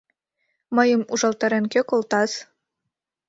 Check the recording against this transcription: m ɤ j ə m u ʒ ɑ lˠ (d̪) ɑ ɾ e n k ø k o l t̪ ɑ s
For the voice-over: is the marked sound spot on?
no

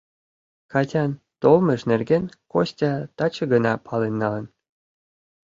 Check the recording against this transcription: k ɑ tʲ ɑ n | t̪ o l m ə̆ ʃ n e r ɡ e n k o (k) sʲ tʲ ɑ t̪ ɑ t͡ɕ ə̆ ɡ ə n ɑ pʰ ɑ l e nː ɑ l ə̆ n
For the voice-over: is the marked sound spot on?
no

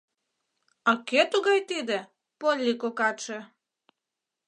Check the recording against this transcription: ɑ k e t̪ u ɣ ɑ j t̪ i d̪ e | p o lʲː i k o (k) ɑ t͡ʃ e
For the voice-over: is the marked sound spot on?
yes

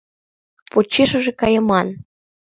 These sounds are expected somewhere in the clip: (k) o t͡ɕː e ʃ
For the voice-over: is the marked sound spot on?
no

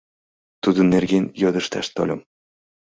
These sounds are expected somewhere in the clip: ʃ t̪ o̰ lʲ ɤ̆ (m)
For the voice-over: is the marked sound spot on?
yes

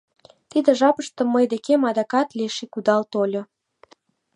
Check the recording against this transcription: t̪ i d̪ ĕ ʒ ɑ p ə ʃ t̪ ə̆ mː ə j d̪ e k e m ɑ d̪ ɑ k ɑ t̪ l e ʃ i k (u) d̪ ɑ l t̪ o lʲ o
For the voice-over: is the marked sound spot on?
yes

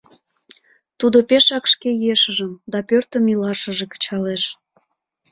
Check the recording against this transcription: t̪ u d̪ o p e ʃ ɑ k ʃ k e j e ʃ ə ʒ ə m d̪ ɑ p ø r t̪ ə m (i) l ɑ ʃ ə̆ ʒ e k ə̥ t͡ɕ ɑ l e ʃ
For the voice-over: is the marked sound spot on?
yes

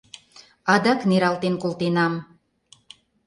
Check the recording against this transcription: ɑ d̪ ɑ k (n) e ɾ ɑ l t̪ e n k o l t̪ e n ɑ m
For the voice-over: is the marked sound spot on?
yes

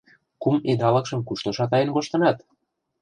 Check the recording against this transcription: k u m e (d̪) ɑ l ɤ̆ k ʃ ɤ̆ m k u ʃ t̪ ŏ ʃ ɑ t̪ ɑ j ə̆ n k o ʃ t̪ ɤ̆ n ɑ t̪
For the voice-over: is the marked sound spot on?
yes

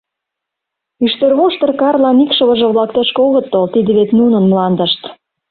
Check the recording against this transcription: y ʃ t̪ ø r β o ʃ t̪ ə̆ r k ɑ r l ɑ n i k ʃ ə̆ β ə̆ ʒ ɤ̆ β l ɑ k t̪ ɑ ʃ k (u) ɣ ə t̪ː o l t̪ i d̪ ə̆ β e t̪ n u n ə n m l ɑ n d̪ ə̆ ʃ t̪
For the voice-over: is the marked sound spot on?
no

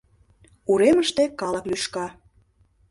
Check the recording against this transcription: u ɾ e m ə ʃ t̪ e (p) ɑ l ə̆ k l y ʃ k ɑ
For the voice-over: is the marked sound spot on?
no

